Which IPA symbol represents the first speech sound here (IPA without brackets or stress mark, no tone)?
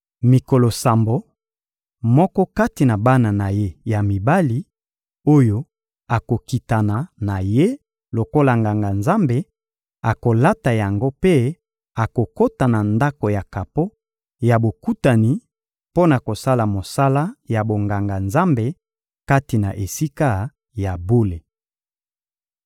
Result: m